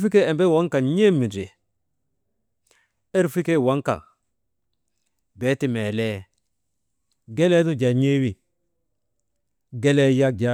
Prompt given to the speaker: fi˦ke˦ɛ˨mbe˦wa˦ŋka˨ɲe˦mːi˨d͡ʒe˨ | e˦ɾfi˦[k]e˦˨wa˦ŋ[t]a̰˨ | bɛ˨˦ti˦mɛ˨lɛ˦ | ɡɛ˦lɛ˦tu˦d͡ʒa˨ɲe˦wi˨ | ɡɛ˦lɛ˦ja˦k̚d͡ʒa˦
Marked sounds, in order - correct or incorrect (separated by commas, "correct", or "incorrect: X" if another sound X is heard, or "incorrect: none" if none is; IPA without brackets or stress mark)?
correct, incorrect: k